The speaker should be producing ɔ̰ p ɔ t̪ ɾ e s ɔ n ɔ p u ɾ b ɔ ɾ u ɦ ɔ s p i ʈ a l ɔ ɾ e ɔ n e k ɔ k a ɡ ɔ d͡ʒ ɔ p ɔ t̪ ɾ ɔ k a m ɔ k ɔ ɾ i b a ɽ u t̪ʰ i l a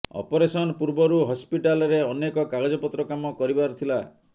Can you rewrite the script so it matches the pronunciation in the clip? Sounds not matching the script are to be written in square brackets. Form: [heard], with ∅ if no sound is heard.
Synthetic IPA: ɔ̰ p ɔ [∅] ɾ e s ɔ n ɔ p u ɾ b ɔ ɾ u ɦ ɔ s p i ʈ a l ɔ ɾ e ɔ n e k ɔ k a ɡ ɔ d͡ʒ ɔ p ɔ t̪ ɾ ɔ k a m ɔ k ɔ ɾ i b a [ɾ] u t̪ʰ i l a